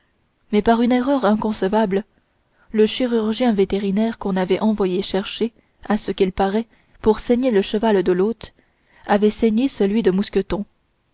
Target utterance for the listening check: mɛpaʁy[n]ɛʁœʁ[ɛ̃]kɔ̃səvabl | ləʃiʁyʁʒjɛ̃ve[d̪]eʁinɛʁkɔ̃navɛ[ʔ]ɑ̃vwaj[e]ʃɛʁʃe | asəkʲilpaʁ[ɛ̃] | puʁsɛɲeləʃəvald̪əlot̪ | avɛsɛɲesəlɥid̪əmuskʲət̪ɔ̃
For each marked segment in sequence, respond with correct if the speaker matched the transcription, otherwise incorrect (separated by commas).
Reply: correct, correct, incorrect, correct, correct, incorrect